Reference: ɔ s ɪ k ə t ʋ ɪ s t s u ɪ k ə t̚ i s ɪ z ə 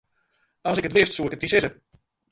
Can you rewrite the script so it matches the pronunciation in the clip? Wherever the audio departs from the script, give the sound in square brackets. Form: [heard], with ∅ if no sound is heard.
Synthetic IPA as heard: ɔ s ɪ k ə t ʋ ɪ s t s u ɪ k ə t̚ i s ɪ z ə

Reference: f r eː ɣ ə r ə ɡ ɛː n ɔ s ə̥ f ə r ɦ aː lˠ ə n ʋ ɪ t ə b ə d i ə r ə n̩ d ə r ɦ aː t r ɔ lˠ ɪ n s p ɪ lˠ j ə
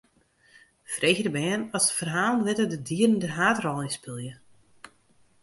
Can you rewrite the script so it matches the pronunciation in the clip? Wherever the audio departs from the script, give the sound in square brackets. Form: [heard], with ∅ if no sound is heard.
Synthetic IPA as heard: f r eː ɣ ə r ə [b] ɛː n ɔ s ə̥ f ə r ɦ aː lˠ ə n ʋ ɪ t ə [d] ə d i ə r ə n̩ d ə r ɦ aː t r ɔ lˠ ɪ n s p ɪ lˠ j ə

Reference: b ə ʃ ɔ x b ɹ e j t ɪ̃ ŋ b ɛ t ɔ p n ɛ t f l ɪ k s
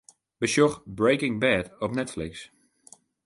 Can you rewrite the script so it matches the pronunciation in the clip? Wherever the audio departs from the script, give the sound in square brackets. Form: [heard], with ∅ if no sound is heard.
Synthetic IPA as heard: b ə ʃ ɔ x b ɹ e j [k] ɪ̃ ŋ b ɛ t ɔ p n ɛ t f l ɪ k s

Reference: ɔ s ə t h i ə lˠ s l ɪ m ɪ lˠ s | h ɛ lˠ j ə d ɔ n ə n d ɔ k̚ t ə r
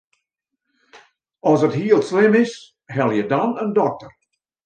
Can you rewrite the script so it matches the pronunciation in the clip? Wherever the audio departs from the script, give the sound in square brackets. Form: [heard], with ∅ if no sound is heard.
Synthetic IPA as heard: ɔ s ə t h i ə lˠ s l ɪ m ɪ [∅] s | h ɛ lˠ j ə d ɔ n ə n d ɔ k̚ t ə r

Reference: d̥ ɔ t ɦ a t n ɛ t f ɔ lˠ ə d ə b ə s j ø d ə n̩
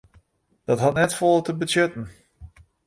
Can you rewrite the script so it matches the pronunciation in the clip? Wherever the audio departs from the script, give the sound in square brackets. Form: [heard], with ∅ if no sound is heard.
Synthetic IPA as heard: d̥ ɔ t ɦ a t n ɛ t f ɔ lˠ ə [t] ə b ə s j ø [t] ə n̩

